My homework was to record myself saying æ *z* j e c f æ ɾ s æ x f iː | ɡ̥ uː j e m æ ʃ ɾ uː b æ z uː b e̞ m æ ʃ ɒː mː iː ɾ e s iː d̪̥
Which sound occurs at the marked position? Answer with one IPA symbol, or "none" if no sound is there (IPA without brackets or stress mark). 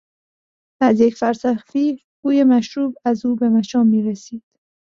z